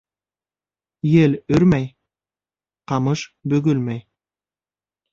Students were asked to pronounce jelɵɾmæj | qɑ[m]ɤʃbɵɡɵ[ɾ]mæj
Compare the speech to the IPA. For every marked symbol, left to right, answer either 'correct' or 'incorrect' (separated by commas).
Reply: correct, incorrect